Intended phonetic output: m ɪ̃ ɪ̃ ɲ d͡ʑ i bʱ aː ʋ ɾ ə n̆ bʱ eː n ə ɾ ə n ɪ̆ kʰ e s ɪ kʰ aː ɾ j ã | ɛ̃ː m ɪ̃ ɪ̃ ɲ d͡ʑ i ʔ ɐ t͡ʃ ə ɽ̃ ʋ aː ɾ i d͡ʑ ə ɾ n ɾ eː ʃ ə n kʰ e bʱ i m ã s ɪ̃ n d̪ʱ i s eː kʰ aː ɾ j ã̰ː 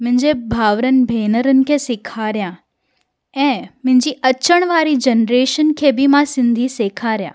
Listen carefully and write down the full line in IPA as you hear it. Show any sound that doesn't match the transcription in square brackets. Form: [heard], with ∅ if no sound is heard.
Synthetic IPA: m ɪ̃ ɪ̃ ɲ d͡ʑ [e] bʱ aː ʋ ɾ ə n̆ bʱ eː n ə ɾ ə n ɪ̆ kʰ e s ɪ kʰ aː ɾ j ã | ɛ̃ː m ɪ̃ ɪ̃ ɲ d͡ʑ i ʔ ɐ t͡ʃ ə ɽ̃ ʋ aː ɾ i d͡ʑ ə [∅] n ɾ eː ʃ ə n kʰ e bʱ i m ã s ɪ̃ n d̪ʱ i s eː kʰ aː ɾ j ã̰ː